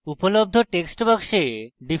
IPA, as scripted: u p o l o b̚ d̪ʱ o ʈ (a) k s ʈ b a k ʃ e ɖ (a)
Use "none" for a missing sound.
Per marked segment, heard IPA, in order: e, i

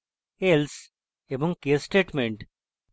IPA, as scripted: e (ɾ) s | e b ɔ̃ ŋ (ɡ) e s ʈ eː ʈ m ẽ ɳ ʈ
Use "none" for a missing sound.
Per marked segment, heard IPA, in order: l, k

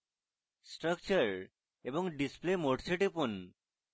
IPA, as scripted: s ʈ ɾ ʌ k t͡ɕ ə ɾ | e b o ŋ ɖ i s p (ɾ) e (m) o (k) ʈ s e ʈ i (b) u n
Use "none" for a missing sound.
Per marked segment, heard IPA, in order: l, m, none, p

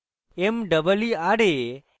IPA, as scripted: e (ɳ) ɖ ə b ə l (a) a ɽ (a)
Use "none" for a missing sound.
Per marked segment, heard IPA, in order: m, i, e

